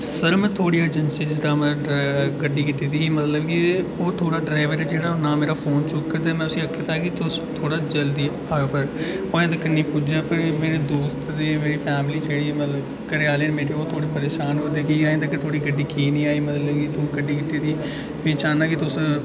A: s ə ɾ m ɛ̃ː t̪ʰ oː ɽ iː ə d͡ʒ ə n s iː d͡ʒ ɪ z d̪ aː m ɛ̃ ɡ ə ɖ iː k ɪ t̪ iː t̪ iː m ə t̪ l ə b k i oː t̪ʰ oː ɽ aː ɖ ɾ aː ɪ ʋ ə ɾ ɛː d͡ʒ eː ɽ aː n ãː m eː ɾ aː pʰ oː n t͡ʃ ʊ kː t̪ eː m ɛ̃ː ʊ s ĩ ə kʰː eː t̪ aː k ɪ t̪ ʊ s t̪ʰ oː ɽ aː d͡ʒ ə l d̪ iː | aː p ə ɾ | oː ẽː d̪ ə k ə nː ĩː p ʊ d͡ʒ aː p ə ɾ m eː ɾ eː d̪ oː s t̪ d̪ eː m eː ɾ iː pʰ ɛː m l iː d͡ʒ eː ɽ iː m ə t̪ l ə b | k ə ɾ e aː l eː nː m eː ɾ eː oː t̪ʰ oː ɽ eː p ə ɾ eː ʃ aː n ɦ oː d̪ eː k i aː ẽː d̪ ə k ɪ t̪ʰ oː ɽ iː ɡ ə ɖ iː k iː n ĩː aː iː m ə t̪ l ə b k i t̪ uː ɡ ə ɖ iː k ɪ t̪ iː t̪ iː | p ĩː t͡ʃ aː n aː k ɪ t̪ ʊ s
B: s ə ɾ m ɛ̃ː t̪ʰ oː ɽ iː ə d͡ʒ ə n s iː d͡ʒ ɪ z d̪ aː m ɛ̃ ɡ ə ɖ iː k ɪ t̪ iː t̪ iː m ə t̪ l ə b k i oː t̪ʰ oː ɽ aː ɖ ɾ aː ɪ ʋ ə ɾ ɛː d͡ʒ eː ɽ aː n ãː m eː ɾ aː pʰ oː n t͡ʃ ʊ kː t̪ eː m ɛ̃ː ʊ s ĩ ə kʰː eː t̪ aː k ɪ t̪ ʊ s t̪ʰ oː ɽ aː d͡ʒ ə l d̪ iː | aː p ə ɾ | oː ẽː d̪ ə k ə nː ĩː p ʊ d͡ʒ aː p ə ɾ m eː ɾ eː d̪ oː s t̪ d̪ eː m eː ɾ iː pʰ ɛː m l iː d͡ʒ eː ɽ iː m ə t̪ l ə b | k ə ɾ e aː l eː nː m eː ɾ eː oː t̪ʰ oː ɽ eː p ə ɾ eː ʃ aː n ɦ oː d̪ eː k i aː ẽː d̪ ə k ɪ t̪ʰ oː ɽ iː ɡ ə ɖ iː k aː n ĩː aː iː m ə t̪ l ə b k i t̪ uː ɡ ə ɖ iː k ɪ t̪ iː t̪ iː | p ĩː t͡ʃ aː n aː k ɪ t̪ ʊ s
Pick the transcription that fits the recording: A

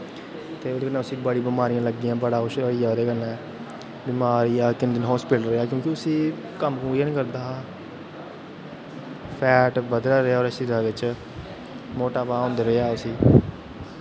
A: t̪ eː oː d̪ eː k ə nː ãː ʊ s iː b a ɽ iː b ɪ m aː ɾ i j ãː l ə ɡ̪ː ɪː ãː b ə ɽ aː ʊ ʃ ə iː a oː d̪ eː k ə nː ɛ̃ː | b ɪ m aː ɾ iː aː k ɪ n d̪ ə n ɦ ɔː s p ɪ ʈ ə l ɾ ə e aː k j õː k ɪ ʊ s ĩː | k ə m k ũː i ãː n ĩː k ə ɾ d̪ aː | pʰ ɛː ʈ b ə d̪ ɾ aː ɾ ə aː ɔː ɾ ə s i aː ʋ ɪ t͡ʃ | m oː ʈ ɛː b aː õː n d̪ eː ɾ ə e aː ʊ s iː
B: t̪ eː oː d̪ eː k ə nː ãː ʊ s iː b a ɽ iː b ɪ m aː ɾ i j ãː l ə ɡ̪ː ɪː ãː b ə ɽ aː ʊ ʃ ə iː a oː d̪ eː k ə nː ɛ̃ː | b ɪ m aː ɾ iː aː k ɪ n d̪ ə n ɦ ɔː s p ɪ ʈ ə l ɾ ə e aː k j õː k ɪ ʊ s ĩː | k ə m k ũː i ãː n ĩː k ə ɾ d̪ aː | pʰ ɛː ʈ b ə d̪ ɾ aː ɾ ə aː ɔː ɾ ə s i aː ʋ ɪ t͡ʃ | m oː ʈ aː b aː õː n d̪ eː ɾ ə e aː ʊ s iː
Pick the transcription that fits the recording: B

